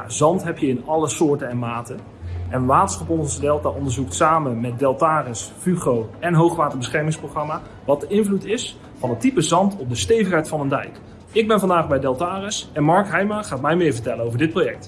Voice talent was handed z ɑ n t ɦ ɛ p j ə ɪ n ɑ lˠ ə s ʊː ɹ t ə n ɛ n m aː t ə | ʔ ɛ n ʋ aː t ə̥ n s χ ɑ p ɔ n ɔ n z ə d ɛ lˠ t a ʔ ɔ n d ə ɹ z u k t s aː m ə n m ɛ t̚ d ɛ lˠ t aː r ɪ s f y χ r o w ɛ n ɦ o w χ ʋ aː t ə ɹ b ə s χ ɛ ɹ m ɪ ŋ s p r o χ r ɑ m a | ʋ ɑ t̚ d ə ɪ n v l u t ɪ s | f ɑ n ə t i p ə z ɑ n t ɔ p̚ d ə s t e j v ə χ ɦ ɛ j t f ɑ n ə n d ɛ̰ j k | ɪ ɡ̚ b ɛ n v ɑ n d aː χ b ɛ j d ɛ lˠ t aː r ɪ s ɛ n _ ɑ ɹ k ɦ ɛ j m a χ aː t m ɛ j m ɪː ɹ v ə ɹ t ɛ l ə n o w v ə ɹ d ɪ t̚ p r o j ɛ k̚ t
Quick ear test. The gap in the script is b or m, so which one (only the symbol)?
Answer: m